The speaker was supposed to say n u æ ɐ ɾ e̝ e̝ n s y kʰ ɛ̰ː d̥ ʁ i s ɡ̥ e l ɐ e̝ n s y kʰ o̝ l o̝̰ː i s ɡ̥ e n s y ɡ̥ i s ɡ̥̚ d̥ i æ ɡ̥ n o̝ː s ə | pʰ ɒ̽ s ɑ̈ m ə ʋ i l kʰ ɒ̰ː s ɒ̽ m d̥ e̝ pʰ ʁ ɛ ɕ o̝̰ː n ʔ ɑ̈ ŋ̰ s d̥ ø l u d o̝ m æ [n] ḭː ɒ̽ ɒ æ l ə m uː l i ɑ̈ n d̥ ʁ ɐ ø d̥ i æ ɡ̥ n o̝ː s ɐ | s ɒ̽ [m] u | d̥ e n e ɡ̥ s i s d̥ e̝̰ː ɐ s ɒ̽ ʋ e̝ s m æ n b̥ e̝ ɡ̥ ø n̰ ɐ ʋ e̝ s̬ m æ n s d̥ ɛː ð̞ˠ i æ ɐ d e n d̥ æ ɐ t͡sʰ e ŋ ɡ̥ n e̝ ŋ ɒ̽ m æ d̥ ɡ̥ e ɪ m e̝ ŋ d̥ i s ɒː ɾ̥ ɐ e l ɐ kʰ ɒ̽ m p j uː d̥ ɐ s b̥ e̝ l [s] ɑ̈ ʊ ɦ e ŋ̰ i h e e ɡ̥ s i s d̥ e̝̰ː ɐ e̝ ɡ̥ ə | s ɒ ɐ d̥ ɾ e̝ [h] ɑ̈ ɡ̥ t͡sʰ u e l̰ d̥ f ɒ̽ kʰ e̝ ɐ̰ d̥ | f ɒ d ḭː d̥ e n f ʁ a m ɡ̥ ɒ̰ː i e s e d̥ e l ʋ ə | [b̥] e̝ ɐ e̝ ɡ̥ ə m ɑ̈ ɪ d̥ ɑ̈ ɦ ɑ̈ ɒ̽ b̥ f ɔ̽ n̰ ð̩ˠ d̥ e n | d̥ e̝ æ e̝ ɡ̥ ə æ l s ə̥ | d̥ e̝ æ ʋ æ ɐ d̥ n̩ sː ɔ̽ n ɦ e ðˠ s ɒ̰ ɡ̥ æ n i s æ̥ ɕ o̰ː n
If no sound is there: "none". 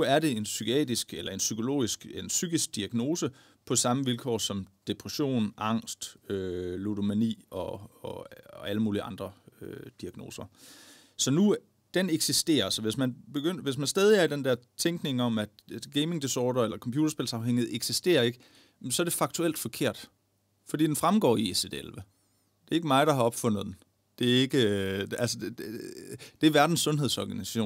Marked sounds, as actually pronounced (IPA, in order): n, n, s, f, d̥

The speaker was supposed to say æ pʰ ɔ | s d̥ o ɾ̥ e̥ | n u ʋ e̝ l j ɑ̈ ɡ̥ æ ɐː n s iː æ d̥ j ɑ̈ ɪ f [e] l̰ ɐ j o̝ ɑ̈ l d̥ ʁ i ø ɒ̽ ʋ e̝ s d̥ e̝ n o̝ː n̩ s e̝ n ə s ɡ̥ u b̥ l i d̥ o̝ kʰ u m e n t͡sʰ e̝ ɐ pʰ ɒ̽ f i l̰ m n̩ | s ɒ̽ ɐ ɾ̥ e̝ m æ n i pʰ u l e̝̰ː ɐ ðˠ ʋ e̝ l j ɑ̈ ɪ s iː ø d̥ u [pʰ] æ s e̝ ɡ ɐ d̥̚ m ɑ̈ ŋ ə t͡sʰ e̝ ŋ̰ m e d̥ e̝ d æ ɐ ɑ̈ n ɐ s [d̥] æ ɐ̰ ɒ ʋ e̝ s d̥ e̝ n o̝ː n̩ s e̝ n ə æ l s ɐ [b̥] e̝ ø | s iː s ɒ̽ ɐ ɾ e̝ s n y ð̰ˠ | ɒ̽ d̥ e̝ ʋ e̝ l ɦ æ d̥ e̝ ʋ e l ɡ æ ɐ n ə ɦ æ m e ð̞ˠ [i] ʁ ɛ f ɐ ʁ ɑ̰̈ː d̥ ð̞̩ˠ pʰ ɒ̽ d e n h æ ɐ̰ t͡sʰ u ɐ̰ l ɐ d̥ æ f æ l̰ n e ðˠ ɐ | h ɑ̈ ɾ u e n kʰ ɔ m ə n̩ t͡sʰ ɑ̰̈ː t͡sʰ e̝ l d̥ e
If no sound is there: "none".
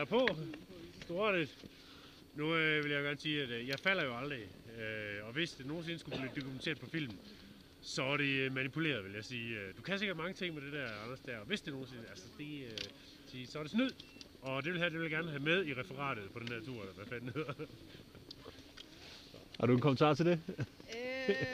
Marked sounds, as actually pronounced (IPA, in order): æ, kʰ, d̥, d̥, i

